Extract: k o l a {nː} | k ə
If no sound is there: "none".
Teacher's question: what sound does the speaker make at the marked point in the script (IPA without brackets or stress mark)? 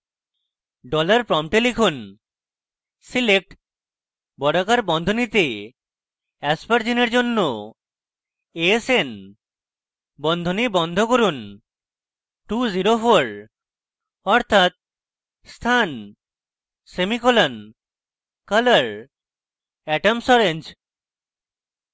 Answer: n